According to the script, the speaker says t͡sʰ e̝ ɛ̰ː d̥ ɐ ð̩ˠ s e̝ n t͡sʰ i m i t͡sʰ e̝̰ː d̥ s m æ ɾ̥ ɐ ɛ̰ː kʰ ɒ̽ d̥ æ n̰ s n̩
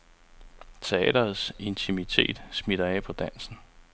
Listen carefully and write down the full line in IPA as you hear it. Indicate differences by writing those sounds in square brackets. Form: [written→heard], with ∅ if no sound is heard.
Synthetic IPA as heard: t͡sʰ e̝ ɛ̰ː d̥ ɐ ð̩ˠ s e̝ n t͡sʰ i m i t͡sʰ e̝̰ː d̥ s m [æ→i] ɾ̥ ɐ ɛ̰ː [kʰ→pʰ] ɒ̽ d̥ æ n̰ s n̩